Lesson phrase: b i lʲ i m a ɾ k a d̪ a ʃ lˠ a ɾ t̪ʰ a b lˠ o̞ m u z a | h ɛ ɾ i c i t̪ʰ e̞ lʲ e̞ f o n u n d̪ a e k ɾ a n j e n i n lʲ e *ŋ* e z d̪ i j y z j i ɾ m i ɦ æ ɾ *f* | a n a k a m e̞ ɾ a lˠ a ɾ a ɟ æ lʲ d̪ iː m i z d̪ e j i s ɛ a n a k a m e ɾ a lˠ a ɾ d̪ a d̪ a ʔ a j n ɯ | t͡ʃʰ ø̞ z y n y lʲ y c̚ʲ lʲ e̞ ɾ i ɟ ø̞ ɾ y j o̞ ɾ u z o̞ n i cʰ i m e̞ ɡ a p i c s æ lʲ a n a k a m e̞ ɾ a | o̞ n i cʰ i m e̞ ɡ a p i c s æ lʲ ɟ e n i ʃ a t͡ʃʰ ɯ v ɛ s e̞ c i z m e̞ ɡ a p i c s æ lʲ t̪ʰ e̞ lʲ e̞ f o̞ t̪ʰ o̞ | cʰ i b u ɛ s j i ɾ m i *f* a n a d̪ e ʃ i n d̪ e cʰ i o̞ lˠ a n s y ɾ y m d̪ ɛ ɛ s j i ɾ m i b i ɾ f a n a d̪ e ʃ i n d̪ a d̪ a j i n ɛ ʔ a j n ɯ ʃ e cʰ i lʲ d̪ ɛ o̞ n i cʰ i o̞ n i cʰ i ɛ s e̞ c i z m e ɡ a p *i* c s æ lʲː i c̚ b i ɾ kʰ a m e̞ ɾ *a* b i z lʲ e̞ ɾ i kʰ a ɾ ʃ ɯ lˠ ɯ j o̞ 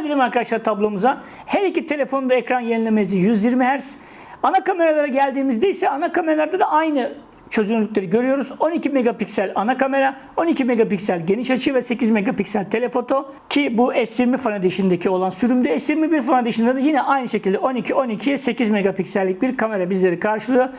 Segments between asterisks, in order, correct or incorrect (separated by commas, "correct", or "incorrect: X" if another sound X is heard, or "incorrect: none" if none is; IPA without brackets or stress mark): incorrect: m, incorrect: s, correct, correct, correct